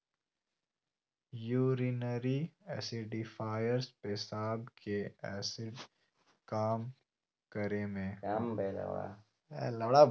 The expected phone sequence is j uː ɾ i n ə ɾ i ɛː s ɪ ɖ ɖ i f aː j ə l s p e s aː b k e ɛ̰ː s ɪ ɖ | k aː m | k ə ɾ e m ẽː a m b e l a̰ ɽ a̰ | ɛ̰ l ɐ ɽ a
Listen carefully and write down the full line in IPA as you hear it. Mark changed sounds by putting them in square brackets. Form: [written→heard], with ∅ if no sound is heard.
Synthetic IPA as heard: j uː ɾ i n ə ɾ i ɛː s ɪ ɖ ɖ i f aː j ə [l→ɾ] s p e s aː b k e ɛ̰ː s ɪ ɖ | k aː m | k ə ɾ e m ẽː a m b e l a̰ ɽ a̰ | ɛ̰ l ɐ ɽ a

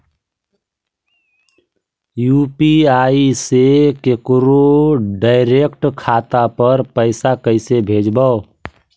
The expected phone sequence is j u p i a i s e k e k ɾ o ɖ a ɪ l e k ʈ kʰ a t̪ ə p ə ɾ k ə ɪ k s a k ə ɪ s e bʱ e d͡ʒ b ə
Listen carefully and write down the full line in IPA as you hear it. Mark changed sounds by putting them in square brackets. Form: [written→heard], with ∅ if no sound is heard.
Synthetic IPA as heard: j u p i a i s e k e k ɾ o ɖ a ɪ [l→ɾ] e k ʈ kʰ a t̪ [ə→a] p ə ɾ [k→p] ə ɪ [k→∅] s a k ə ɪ s e bʱ e d͡ʒ b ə

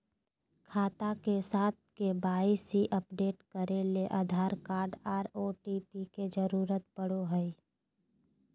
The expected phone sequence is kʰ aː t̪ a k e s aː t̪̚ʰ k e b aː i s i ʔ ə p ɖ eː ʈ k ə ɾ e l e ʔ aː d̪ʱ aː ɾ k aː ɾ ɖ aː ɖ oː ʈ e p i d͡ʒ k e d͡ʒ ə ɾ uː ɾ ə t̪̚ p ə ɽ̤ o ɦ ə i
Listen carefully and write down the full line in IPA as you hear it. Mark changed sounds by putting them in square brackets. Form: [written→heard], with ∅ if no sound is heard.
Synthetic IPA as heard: kʰ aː t̪ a k e s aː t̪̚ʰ k e b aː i s i ʔ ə p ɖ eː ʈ k ə ɾ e l e ʔ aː d̪ʱ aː ɾ k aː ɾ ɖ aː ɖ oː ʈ [e→i] p i [d͡ʒ→∅] k e d͡ʒ ə ɾ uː ɾ ə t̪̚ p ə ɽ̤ o ɦ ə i

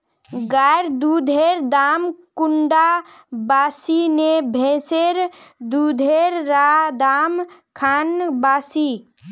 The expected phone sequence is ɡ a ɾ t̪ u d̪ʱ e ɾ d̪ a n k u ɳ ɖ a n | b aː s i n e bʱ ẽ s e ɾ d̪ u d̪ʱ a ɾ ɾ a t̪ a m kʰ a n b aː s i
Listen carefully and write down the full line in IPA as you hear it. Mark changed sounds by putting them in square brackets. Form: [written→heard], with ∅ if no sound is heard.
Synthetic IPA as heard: ɡ a ɾ [t̪→d̪] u d̪ʱ e ɾ d̪ a [n→m] k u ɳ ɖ a [n→∅] | b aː s i n e bʱ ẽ s e ɾ d̪ u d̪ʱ [a→e] ɾ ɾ a [t̪→d̪] a m kʰ a n b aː s i

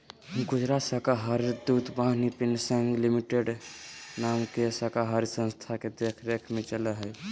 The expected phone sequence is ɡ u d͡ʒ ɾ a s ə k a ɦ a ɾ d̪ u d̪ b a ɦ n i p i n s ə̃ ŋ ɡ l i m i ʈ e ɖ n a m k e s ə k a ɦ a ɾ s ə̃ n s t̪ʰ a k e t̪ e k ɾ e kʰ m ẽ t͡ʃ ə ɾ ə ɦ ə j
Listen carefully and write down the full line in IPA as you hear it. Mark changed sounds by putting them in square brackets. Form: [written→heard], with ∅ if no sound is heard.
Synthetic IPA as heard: ɡ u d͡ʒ ɾ a s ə k a ɦ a ɾ d̪ u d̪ b a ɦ n i p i n s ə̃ ŋ ɡ l i m i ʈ e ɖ n a m k e s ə k a ɦ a ɾ s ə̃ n s t̪ʰ a k e [t̪→d̪] e [k→kʰ] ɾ e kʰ m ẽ t͡ʃ ə [ɾ→l] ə ɦ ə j

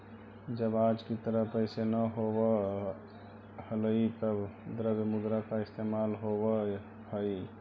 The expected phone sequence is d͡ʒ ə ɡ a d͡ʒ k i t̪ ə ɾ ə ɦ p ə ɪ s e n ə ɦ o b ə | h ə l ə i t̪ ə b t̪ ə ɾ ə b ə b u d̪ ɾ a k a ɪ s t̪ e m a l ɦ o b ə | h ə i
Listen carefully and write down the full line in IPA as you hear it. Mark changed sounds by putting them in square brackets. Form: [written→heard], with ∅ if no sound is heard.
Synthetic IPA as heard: d͡ʒ ə [ɡ→b] a d͡ʒ k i t̪ ə ɾ ə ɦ p ə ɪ s e n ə ɦ o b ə | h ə l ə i t̪ ə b [t̪→d̪] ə ɾ ə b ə [b→m] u d̪ ɾ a k a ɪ s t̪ e m a l ɦ o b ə | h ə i

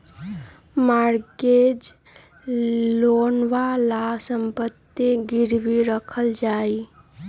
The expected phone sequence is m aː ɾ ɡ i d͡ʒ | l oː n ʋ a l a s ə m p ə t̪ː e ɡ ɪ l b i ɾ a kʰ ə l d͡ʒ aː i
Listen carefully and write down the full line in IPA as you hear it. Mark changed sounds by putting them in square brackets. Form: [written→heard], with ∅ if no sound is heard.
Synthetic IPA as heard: m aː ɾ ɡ [i→e] d͡ʒ | l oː n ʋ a l a s ə m p ə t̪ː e ɡ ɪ [l→ɾ] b i ɾ [a→ə] kʰ ə l d͡ʒ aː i

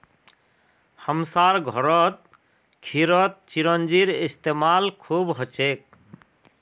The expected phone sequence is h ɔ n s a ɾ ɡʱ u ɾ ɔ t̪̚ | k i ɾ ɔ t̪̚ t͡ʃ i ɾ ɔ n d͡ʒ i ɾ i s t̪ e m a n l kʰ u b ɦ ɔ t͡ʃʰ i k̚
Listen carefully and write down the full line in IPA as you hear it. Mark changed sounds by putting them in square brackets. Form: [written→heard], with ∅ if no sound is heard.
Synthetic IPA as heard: h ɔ [n→m] s a ɾ ɡʱ [u→ɔ] ɾ ɔ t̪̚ | [k→kʰ] i ɾ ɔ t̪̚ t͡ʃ i ɾ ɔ n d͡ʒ i ɾ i s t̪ e m a [n→∅] l kʰ u b ɦ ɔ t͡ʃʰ [i→e] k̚

